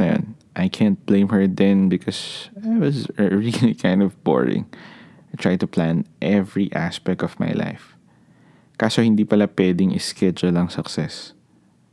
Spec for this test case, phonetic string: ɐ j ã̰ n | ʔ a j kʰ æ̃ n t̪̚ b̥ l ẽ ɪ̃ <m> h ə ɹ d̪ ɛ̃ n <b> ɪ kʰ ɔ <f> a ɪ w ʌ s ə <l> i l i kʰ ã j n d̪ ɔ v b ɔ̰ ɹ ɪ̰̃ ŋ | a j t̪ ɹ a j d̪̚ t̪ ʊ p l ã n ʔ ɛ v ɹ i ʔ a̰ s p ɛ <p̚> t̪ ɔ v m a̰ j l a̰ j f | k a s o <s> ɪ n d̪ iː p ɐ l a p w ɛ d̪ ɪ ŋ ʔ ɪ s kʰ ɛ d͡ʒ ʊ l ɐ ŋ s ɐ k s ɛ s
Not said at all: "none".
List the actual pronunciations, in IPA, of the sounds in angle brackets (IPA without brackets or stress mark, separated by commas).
m, b, s, ɹ, k̚, h